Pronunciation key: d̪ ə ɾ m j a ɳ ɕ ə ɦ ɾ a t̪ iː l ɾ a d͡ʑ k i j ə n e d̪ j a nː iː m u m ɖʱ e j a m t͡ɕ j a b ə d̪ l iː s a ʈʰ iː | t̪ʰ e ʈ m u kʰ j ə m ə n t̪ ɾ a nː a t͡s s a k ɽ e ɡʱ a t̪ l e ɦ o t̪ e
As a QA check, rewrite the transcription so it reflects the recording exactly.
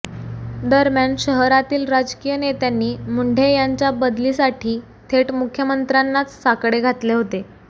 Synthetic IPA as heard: d̪ ə ɾ m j a ɳ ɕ ə ɦ ɾ a t̪ iː l ɾ a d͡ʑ k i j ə n e t̪ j a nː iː m u ɳ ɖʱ e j a ɲ t͡ɕ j a b ə d̪ l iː s a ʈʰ iː | t̪ʰ e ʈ m u kʰ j ə m ə n t̪ ɾ a nː a t͡s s a k ɽ e ɡʱ a t̪ l e ɦ o t̪ e